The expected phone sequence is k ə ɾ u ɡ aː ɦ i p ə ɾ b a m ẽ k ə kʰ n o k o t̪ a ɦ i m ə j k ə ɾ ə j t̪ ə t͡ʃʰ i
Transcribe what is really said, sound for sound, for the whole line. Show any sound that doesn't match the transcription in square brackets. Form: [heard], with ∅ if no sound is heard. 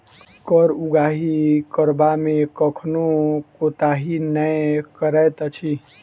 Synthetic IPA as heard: k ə ɾ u ɡ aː ɦ i [k] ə ɾ b a m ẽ k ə kʰ n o k o t̪ a ɦ i [n] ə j k ə ɾ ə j t̪ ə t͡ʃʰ i